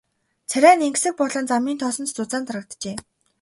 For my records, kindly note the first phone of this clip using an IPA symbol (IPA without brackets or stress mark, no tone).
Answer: t͡sʰ